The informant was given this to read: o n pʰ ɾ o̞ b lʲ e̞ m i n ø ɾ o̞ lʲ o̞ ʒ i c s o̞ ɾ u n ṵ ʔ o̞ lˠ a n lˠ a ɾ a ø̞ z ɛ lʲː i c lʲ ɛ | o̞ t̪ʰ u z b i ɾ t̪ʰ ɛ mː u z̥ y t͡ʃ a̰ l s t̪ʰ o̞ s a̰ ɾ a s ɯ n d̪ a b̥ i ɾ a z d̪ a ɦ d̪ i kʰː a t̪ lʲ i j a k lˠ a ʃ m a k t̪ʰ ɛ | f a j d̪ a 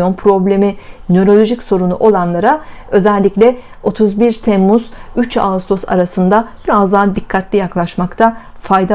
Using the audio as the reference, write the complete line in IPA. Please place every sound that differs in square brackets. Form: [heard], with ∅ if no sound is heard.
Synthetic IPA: o n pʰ ɾ o̞ b lʲ e̞ m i n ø ɾ o̞ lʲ o̞ ʒ i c s o̞ ɾ u n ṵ ʔ o̞ lˠ a n lˠ a ɾ a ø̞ z ɛ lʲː i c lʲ ɛ | o̞ t̪ʰ u z b i ɾ t̪ʰ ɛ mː u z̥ y t͡ʃ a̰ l s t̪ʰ o̞ s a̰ ɾ a s ɯ n d̪ a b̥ i ɾ a z d̪ a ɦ d̪ i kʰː a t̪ lʲ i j a k lˠ a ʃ m a k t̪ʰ [a] | f a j d̪ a